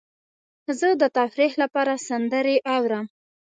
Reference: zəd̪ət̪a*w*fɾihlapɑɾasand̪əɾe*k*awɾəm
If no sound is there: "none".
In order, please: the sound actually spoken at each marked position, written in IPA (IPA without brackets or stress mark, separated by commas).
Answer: none, ʔ